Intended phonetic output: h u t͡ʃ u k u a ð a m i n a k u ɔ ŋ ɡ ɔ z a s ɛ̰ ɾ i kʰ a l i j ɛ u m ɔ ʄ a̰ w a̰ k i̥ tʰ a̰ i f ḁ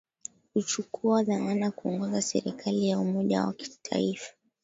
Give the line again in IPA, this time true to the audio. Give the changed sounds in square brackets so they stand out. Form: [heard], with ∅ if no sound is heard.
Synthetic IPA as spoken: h u t͡ʃ u k u a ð a m [a] n a k u ɔ ŋ ɡ ɔ z a s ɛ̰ ɾ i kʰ a l i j [a] u m ɔ ʄ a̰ w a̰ k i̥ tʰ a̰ i f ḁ